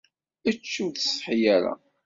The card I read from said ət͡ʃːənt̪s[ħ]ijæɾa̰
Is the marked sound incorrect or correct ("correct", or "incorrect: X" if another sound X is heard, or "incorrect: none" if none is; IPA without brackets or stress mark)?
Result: correct